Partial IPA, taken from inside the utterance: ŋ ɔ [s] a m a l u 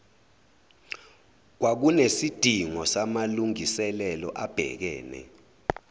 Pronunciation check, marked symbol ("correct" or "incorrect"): correct